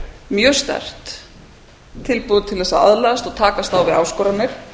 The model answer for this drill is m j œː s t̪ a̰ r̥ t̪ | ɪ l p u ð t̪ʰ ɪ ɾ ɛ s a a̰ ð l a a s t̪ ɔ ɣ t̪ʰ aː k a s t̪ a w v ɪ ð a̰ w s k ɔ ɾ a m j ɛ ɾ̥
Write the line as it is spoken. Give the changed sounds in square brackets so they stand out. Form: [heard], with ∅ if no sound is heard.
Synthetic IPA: m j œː s t̪ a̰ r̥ t̪ | ɪ l p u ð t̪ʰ ɪ [l] ɛ s a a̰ ð l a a s t̪ ɔ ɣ t̪ʰ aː k a s t̪ a w v ɪ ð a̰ w s k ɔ ɾ a m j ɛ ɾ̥

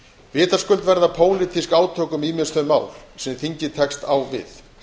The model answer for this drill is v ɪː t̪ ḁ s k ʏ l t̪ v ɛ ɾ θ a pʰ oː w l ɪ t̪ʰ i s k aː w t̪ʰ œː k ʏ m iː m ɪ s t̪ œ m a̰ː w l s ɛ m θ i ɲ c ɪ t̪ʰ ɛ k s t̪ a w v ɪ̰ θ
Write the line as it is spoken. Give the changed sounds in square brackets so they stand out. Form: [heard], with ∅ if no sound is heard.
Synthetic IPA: v ɪː t̪ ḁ s k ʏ l t̪ v ɛ ɾ [ð] a pʰ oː w l ɪ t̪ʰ i s k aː w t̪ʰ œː k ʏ m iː m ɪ s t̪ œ m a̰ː w l s ɛ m θ i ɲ c ɪ t̪ʰ ɛ k s t̪ a w v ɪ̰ θ

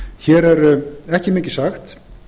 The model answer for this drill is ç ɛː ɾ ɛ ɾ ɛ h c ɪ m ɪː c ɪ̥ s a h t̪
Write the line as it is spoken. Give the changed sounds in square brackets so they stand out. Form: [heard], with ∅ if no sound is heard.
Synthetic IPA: ç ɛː ɾ ɛ ɾ ɛ h c ɪ m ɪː c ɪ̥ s a [x] t̪

